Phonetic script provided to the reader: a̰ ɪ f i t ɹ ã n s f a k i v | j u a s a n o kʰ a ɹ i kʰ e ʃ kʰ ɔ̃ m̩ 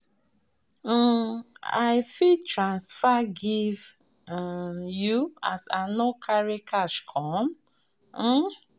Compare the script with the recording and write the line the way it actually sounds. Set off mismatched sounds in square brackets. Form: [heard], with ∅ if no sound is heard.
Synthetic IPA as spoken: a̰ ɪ f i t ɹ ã n s f a [ɡ] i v | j u a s a n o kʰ a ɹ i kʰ [a] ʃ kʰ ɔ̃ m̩